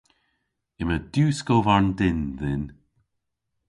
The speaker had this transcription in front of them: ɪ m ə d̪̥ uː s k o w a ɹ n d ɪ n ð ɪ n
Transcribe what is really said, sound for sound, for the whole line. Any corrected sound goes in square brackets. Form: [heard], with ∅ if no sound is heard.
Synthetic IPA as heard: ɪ m ə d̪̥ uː s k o [v] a ɹ n d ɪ n ð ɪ n